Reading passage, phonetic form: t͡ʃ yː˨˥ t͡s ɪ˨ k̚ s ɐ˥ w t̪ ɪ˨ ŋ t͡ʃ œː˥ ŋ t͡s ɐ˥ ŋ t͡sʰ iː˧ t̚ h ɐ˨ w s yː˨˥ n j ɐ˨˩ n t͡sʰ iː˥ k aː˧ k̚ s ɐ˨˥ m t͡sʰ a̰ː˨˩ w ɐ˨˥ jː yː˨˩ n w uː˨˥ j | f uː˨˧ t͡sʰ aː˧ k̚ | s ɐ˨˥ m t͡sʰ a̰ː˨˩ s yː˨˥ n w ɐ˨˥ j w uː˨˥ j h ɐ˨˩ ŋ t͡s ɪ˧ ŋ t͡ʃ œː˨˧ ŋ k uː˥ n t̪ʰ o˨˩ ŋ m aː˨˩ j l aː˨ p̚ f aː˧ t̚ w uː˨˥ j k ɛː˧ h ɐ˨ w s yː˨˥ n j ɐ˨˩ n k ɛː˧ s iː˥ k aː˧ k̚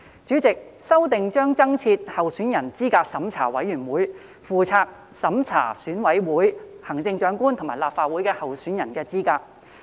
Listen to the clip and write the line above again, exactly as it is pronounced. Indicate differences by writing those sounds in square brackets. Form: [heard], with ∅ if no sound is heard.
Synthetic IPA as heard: t͡ʃ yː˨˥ t͡s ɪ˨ k̚ s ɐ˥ w t̪ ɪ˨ ŋ t͡ʃ œː˥ ŋ t͡s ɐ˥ ŋ t͡sʰ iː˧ t̚ h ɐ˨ w s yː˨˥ n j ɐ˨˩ n [t͡s] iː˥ k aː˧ k̚ s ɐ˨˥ m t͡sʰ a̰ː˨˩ w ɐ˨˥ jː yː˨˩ n w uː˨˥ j | f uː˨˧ t͡sʰ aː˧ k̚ | s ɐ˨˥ m t͡sʰ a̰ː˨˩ s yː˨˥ n w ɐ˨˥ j w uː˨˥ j h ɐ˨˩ ŋ t͡s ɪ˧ ŋ t͡ʃ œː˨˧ ŋ k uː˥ n t̪ʰ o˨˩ ŋ m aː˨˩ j l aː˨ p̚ f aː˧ t̚ w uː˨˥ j k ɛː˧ h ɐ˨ w s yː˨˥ n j ɐ˨˩ n k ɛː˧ [t͡s] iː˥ k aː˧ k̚

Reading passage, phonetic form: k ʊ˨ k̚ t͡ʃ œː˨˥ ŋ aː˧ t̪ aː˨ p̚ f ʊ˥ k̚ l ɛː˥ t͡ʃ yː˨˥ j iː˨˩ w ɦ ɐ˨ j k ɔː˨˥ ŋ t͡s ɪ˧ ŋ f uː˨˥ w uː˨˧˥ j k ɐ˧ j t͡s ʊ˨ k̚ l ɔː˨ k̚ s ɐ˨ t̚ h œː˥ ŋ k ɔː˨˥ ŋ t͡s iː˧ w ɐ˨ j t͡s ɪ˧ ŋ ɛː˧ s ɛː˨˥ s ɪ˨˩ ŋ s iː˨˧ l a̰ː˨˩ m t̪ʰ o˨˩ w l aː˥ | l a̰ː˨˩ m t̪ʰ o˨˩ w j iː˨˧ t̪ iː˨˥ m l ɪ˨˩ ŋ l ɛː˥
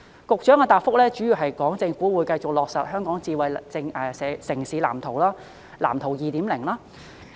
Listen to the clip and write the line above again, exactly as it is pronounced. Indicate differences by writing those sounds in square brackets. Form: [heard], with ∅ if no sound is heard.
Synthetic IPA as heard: k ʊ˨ k̚ t͡ʃ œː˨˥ ŋ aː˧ t̪ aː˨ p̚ f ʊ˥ k̚ l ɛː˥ t͡ʃ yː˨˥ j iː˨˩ w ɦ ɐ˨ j k ɔː˨˥ ŋ t͡s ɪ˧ ŋ f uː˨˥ w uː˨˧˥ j k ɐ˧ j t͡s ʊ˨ k̚ l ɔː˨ k̚ s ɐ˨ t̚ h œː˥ ŋ k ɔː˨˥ ŋ t͡s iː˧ w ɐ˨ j t͡s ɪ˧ ŋ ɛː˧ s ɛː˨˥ s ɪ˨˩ ŋ s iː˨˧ l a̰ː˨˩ m t̪ʰ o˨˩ w l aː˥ | l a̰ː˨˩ m t̪ʰ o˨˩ w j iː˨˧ t̪ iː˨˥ m l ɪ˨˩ ŋ l [aː˥]

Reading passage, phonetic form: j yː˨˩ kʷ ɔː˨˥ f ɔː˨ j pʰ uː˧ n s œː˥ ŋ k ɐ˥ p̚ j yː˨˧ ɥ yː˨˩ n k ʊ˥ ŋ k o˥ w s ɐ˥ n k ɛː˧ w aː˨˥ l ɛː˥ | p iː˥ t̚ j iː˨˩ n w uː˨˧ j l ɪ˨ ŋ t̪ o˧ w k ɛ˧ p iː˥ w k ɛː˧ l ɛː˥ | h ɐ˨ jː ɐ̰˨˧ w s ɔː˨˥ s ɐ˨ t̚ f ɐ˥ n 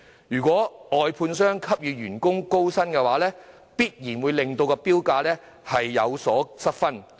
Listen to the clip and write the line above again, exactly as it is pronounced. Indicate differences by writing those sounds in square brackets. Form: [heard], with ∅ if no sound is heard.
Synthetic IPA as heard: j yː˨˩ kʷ ɔː˨˥ [∅] ɔː˨ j pʰ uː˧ n s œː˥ ŋ [kʰ] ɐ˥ p̚ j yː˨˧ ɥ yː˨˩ n k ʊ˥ ŋ k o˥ w s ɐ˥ n k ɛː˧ w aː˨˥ l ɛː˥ | p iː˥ t̚ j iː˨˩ n w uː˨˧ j l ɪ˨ ŋ t̪ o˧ w k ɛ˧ p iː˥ w k [aː˧] l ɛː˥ | h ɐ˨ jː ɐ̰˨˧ w s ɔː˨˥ s [ɐ˥] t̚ f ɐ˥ n

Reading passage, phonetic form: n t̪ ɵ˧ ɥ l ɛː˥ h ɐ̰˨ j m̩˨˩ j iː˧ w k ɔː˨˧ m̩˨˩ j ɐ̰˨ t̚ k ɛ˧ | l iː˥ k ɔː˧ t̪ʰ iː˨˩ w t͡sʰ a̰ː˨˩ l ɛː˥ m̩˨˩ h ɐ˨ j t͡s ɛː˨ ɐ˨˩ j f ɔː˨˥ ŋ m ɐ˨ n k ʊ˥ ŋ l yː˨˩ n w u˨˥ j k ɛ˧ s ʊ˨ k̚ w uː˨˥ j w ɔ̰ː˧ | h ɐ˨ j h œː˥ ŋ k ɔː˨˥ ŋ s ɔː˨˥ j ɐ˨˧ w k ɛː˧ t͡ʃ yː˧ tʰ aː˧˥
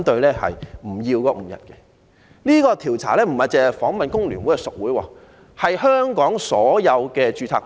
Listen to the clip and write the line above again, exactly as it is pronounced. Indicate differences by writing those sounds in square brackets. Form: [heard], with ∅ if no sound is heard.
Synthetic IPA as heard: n t̪ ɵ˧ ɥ l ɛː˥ h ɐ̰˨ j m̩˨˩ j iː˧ w k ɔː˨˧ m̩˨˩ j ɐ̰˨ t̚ k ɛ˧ | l iː˥ k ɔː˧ t̪ʰ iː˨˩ w t͡sʰ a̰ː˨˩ l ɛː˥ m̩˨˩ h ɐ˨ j t͡s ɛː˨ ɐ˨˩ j f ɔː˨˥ ŋ m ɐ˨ n k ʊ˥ ŋ l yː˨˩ n w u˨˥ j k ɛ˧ s ʊ˨ k̚ w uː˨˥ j w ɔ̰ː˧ | h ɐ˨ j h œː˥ ŋ k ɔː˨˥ ŋ s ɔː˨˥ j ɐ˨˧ w k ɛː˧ t͡ʃ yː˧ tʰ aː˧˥

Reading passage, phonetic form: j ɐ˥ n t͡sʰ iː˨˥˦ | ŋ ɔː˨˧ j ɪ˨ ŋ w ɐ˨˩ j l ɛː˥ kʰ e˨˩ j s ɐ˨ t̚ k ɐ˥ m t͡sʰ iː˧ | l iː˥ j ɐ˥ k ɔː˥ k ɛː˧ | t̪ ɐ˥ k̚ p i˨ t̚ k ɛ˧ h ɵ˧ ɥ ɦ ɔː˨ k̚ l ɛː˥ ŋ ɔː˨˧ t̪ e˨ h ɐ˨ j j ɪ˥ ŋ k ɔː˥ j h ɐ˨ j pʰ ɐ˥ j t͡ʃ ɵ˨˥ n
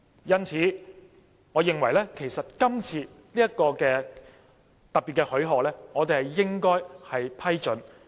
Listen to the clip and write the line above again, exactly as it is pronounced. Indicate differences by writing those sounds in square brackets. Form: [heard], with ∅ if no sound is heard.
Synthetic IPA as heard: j ɐ˥ n t͡sʰ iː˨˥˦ | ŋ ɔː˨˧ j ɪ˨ ŋ w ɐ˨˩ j l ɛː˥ kʰ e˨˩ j s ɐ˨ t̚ k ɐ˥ m t͡sʰ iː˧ | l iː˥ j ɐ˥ k [ɔː˧] k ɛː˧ | t̪ [ɐ˨] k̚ p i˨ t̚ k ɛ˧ h [ɵ˨˥] ɥ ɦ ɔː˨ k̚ l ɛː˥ ŋ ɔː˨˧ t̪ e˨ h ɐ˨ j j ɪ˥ ŋ k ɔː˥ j h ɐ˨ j pʰ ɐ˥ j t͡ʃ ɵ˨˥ n

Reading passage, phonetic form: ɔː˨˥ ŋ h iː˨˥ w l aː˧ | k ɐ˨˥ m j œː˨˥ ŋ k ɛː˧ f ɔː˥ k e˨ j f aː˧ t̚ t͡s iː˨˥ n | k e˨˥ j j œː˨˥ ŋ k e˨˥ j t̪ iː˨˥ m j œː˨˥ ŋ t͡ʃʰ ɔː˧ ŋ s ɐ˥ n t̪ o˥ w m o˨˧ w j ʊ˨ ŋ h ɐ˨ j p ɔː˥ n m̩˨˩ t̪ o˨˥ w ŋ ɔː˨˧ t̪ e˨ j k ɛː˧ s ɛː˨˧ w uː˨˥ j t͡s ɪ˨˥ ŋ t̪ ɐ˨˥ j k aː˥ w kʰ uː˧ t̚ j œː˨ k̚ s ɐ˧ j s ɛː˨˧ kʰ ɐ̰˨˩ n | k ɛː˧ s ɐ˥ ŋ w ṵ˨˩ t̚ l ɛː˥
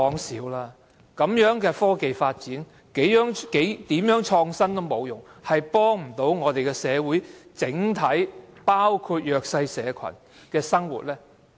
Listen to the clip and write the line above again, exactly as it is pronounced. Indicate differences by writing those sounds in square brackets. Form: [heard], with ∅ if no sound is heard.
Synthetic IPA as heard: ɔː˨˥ ŋ [s] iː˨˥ w l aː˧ | k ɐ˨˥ m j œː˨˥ ŋ k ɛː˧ f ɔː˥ k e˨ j f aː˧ t̚ t͡s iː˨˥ n | k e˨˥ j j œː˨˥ ŋ k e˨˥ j t̪ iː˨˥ m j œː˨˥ ŋ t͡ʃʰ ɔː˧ ŋ s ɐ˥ n t̪ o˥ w m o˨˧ w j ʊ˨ ŋ h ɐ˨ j p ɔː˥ [ŋ] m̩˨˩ t̪ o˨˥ w ŋ ɔː˨˧ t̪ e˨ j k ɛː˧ s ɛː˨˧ w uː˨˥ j t͡s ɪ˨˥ ŋ [t̪ʰ] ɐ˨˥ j [p] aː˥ w kʰ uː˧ t̚ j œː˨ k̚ s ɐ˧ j s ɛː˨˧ kʰ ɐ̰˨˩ n | k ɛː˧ s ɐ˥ ŋ w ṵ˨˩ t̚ l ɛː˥

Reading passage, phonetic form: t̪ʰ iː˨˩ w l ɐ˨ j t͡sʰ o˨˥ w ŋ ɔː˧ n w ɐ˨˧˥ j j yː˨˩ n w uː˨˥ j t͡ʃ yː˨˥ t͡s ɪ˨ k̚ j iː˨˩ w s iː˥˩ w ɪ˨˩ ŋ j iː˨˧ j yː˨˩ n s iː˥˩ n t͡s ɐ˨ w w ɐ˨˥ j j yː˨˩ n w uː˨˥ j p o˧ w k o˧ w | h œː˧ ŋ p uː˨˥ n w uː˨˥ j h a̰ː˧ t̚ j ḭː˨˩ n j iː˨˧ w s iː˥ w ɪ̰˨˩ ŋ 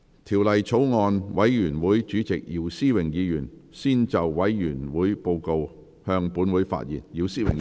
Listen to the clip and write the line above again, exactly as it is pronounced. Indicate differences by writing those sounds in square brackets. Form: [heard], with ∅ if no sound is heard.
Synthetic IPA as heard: t̪ʰ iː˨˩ w l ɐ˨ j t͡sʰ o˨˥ w ŋ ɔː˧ n w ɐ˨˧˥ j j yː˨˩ n w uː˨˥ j t͡ʃ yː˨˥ t͡s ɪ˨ k̚ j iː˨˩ w s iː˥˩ w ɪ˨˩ ŋ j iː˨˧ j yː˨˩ n s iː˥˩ n t͡s ɐ˨ w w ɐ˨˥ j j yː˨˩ n w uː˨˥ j p o˧ w k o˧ w | h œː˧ ŋ p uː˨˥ n w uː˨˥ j [f] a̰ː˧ t̚ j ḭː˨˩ n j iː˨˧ w s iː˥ w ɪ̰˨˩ ŋ

